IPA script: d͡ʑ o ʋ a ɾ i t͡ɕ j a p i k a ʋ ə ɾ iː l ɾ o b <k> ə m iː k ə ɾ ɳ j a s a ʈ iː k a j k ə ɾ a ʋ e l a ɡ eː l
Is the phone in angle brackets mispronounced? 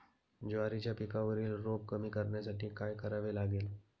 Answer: no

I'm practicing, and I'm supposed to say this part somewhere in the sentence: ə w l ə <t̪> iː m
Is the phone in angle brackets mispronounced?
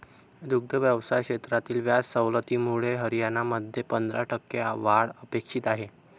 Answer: no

